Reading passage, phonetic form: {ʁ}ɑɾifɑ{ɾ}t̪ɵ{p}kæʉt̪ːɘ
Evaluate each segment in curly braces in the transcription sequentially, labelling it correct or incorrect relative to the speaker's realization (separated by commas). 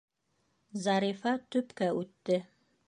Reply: incorrect, incorrect, correct